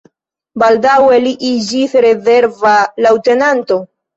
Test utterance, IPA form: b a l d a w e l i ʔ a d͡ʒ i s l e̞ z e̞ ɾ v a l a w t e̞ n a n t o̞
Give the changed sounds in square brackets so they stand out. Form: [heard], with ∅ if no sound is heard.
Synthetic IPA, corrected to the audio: b a l d a w e l i ʔ [i] d͡ʒ i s [ɾ] e̞ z e̞ ɾ v a l a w t e̞ n a n t o̞